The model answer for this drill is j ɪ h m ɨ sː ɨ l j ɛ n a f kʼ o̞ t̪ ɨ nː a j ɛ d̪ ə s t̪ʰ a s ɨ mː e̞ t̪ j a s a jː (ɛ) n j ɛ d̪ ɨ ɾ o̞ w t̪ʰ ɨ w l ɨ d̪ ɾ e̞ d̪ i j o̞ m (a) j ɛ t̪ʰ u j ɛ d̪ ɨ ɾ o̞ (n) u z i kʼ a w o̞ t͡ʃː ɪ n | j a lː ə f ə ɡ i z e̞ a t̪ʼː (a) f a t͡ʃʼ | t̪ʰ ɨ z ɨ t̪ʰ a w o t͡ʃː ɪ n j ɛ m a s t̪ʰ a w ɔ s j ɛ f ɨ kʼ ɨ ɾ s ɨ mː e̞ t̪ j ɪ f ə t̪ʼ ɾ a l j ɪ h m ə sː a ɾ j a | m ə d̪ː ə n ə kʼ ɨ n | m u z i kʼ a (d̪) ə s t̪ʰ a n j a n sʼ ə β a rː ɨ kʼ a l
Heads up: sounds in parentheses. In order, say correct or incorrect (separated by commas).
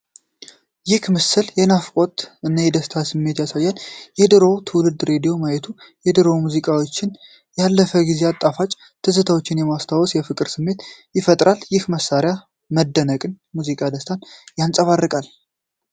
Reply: incorrect, correct, incorrect, correct, correct